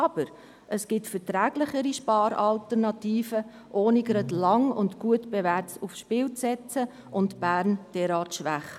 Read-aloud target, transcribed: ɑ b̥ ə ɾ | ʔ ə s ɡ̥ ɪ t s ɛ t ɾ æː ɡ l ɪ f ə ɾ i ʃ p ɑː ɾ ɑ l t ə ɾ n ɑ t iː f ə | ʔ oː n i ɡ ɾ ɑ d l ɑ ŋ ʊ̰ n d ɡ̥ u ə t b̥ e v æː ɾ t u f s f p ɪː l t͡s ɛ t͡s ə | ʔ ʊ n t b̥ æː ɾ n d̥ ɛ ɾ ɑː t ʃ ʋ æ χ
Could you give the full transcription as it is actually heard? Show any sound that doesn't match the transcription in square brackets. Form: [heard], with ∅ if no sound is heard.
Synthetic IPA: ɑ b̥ ə ɾ | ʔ ə s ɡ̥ ɪ t [f] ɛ t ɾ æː ɡ l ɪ [χ] ə ɾ i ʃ p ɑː ɾ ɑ l t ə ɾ n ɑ t iː f ə | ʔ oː n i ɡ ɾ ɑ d l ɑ ŋ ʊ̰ n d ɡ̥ u ə t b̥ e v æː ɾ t u f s [ʃ] p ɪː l t͡s ɛ t͡s ə | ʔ ʊ n t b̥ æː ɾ n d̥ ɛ ɾ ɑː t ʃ ʋ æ χ